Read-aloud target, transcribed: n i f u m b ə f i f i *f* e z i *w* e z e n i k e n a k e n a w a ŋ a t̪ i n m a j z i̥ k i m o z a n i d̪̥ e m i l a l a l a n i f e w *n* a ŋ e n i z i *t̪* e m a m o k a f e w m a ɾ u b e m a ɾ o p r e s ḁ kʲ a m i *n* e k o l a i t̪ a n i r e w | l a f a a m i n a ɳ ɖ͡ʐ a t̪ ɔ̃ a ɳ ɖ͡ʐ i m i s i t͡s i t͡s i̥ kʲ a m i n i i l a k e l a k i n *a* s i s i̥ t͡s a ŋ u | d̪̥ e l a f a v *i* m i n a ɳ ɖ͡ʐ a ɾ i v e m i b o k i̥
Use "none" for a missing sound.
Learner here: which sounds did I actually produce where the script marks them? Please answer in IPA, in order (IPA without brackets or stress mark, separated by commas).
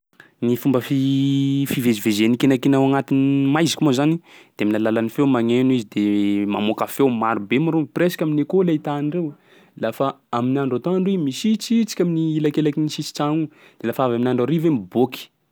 v, v, m, d̪, n, i, a